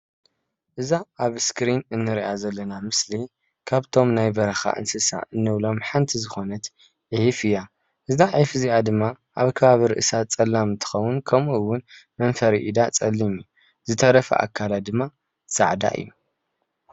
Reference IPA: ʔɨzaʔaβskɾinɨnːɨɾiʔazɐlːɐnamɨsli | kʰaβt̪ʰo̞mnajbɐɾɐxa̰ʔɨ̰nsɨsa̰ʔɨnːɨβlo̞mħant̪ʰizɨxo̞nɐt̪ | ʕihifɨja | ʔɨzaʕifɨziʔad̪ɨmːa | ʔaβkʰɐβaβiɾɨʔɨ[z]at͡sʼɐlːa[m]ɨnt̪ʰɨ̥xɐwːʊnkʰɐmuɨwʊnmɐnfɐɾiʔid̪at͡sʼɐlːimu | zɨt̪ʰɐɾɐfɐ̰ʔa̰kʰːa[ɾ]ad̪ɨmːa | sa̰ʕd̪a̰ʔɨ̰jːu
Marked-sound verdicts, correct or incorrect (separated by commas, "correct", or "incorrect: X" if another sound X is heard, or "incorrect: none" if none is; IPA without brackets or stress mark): incorrect: s, correct, incorrect: l